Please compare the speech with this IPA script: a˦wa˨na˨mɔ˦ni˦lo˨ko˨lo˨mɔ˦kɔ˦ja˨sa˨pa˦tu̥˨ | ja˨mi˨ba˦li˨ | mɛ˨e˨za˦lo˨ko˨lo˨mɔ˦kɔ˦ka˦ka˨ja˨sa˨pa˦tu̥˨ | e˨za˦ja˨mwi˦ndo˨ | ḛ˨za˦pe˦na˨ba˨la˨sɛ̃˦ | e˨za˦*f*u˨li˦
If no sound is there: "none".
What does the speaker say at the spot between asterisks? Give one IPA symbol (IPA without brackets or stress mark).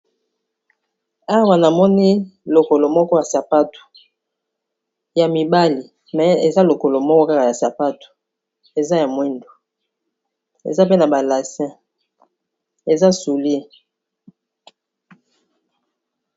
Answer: s